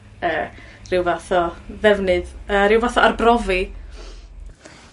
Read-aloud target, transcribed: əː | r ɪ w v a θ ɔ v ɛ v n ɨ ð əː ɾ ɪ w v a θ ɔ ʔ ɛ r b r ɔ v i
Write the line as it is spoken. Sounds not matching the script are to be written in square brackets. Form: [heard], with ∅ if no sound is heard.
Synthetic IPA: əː | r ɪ w v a θ ɔ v ɛ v n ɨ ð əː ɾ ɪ w v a θ ɔ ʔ [a] r b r ɔ v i